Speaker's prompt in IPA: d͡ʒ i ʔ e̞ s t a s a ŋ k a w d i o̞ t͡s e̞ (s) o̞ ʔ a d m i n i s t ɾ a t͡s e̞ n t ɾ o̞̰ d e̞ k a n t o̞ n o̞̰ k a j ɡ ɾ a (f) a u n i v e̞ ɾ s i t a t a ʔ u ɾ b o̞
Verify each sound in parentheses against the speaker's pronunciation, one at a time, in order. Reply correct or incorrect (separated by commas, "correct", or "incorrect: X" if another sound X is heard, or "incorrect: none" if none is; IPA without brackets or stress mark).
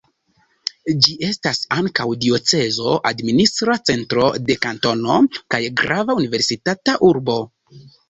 incorrect: z, incorrect: v